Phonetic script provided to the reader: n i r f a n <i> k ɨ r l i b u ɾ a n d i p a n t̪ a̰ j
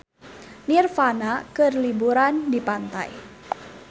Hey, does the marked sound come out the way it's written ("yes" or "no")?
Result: no